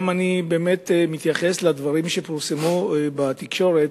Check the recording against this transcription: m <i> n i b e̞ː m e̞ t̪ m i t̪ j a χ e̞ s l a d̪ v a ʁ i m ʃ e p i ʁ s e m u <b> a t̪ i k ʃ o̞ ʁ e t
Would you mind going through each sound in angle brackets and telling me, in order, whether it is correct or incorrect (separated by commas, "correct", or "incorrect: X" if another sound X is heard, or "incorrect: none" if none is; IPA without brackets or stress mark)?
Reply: incorrect: a, correct